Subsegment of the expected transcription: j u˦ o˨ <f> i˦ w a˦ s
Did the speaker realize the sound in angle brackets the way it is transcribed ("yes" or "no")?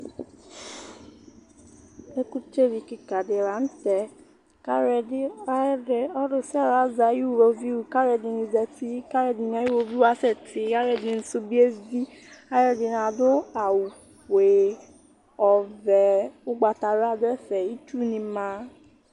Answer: no